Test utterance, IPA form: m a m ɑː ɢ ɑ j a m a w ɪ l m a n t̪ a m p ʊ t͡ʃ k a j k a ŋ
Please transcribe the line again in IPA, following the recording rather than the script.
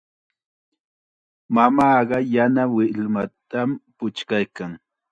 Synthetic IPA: m a m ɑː ɢ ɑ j a n a w ɪ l m a t̪ a m p ʊ t͡ʃ k a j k a ŋ